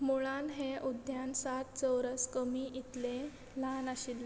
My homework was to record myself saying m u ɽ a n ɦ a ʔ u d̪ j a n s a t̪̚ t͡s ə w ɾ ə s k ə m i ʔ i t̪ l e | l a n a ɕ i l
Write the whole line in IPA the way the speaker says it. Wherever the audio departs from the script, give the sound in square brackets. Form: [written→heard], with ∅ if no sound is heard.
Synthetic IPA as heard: m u [ɽ→ɭ] a n ɦ [a→e] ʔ u d̪ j a n s a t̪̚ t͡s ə w ɾ ə s k ə m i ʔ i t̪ l e | l a n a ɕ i l